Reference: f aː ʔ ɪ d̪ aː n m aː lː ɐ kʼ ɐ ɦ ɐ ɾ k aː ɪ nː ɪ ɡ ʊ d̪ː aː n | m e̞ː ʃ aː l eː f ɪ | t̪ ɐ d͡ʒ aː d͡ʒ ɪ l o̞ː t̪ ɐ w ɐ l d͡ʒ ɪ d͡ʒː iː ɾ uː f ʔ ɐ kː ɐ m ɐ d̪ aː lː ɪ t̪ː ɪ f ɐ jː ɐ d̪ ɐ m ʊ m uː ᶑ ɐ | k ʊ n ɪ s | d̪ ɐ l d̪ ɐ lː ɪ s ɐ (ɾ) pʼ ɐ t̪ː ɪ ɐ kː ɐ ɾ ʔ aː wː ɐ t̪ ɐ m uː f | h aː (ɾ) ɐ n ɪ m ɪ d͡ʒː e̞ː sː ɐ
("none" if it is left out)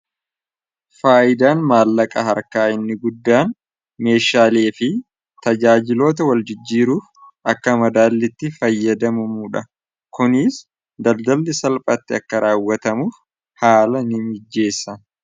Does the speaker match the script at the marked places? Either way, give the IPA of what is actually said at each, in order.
l, l

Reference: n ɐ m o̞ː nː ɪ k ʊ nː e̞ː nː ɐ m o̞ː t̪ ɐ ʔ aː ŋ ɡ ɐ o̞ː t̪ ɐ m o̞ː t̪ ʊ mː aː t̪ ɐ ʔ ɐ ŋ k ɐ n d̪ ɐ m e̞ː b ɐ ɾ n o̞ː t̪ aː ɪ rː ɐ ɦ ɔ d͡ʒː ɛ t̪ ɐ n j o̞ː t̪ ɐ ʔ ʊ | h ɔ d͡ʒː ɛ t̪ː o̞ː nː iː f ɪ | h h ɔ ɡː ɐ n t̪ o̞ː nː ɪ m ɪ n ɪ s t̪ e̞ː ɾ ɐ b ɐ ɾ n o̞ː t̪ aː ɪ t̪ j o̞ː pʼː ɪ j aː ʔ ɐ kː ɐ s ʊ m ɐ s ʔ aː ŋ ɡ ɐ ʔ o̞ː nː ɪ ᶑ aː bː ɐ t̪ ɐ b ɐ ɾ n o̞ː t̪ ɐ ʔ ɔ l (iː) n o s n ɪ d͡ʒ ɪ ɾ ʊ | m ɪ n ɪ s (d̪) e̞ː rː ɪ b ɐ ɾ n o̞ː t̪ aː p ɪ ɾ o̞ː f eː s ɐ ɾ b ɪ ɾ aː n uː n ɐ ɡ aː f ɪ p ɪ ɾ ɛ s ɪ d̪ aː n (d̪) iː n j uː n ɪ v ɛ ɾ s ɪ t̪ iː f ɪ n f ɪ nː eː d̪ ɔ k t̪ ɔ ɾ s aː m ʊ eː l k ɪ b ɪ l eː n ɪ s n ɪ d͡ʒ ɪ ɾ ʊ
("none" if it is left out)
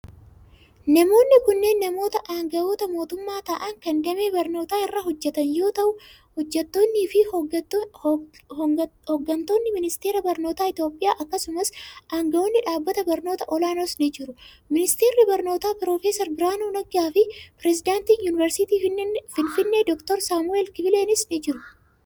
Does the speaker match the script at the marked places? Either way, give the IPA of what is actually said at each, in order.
aː, t̪, t̪

